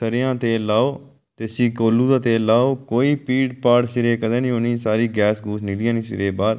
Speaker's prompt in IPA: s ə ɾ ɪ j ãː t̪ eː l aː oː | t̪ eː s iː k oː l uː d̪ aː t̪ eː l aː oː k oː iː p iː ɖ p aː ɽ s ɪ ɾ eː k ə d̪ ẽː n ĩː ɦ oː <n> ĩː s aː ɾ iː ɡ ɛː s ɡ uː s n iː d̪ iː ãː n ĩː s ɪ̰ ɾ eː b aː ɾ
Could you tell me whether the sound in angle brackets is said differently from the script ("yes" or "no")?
no